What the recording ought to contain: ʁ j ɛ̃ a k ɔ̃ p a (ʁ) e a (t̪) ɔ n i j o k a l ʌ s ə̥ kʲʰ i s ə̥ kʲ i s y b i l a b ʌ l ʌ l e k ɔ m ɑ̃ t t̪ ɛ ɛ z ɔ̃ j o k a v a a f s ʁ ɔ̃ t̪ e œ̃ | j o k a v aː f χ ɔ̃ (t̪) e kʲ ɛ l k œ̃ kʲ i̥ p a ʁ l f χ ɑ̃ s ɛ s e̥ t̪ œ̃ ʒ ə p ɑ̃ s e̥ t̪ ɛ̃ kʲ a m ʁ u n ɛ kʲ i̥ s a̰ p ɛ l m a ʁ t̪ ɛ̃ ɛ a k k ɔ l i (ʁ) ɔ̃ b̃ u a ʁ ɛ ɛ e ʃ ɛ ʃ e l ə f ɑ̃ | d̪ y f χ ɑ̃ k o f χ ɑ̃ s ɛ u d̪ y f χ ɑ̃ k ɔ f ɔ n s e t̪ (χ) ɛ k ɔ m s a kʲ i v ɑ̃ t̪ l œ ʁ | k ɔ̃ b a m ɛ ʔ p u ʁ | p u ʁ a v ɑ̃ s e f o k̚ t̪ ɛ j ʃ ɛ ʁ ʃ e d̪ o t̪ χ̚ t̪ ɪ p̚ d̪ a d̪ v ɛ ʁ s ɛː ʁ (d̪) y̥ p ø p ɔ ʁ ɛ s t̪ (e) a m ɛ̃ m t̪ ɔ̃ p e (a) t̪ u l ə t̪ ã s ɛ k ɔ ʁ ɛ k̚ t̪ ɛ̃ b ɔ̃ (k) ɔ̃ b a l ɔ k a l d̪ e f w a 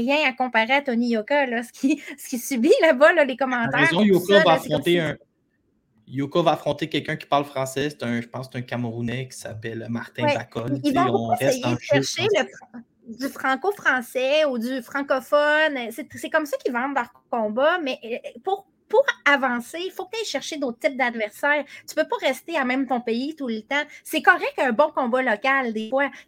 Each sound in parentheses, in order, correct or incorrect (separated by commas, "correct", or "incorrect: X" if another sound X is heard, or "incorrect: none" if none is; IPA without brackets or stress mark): correct, correct, correct, incorrect: v, incorrect: s, incorrect: t̪, correct, incorrect: i, correct